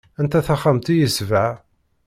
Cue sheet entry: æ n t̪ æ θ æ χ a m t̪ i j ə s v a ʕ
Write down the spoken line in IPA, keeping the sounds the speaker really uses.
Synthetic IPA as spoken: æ n t̪ æ θ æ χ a m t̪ i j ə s v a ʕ